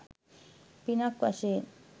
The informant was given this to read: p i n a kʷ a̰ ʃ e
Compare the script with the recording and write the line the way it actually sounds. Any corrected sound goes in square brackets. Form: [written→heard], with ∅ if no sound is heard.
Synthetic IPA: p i n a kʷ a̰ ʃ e